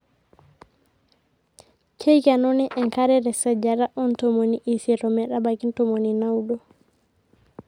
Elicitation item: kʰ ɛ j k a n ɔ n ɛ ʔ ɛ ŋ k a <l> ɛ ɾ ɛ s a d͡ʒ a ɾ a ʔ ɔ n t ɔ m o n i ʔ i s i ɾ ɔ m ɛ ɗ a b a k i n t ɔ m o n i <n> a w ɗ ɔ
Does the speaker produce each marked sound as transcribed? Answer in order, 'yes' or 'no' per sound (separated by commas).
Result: no, yes